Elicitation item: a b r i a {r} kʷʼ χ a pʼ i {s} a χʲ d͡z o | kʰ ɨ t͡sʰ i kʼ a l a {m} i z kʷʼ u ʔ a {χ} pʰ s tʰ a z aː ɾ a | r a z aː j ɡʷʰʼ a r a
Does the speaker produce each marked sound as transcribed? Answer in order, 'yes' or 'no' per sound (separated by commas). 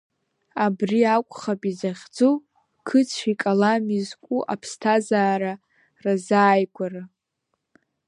no, no, yes, no